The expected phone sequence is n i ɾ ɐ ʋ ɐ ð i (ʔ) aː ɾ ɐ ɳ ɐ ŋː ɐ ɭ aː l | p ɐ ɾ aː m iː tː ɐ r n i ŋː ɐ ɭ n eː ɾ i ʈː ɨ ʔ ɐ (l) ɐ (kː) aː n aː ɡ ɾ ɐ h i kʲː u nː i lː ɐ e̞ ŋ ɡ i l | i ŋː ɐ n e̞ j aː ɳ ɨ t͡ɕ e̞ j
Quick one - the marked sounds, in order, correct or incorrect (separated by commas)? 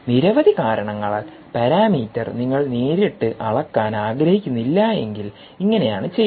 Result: incorrect, incorrect, correct